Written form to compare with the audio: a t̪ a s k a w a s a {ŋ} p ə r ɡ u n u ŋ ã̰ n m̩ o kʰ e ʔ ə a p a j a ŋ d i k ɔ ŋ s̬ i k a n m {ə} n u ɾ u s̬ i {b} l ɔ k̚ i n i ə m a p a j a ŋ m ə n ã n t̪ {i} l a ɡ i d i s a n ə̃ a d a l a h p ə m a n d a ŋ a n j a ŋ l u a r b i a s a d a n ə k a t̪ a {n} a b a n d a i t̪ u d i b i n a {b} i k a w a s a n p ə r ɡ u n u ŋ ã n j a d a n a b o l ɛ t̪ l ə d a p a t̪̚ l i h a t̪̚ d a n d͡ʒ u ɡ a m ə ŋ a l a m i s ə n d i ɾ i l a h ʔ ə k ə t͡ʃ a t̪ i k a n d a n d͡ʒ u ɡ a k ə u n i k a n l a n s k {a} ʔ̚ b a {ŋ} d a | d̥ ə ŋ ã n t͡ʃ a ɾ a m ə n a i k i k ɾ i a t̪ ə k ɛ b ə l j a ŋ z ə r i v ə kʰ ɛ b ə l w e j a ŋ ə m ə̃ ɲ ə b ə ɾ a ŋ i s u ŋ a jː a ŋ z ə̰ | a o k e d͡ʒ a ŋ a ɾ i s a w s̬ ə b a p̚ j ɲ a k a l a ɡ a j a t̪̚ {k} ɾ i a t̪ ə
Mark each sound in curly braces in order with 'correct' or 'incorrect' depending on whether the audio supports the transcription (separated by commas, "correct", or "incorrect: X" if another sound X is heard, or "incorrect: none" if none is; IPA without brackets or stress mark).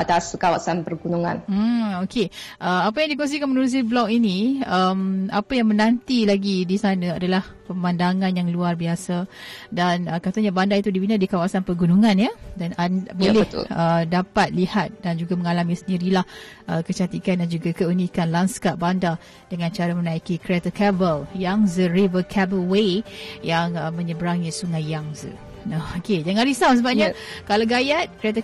incorrect: n, correct, correct, correct, incorrect: ɲ, incorrect: d, correct, incorrect: n, correct